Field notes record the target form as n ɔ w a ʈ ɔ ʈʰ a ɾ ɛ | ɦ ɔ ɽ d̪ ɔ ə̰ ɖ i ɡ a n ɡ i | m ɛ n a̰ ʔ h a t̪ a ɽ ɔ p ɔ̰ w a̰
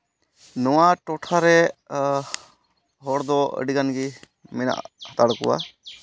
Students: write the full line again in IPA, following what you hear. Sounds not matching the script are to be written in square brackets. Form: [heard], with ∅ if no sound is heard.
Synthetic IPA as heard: n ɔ w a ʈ ɔ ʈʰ a ɾ ɛ | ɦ ɔ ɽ d̪ ɔ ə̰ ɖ i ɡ a n ɡ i | m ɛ n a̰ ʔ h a t̪ a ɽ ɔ [k] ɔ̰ w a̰